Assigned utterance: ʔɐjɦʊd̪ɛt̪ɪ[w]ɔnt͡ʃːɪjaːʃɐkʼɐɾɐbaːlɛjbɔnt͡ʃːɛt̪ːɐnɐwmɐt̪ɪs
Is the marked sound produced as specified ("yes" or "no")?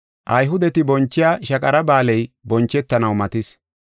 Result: no